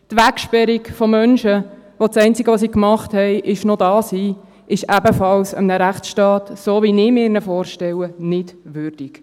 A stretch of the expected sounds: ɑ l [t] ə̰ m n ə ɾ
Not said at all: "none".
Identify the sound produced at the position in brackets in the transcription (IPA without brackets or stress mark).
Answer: s